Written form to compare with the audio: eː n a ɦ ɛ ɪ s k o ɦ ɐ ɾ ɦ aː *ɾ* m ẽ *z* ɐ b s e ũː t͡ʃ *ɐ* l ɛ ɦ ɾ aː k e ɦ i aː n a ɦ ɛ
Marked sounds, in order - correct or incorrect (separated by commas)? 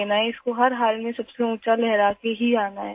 incorrect, incorrect, incorrect